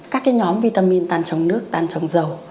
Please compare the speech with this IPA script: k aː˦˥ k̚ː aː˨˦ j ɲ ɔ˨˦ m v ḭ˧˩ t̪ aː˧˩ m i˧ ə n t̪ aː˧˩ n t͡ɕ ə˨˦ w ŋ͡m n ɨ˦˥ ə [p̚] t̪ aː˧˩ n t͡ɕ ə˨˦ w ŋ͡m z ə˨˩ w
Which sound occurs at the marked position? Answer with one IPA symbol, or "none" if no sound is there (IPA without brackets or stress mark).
k̚